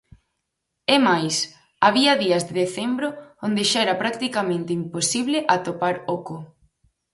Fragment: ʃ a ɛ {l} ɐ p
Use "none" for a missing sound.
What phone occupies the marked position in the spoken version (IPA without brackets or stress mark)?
ɾ